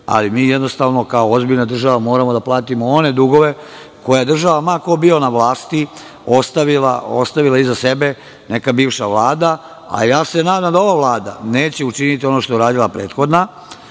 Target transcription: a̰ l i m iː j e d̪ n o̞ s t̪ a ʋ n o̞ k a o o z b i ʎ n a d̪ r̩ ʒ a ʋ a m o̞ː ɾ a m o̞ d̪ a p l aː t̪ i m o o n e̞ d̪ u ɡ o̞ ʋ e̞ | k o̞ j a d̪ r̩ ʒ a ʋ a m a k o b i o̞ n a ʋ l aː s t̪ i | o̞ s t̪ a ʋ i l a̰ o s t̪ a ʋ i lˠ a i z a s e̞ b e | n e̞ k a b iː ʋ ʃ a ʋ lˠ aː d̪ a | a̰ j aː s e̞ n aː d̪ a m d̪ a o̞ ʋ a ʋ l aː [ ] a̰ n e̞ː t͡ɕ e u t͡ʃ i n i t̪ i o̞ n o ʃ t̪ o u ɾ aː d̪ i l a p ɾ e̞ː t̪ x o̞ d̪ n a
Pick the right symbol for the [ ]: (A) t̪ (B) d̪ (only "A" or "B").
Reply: B